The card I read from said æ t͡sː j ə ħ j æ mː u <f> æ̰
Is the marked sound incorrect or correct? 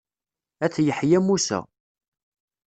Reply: incorrect: s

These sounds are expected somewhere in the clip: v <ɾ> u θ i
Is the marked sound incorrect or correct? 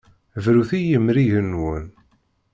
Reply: correct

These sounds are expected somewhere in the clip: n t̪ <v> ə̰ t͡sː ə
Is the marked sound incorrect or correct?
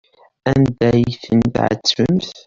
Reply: incorrect: ʕ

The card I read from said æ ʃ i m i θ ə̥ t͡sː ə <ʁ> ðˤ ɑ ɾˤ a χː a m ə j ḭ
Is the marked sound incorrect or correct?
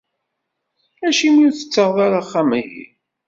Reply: correct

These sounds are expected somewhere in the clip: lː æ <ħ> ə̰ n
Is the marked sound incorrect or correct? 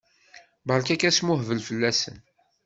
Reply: incorrect: s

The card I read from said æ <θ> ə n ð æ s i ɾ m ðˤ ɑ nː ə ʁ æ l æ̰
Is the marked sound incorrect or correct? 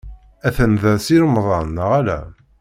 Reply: correct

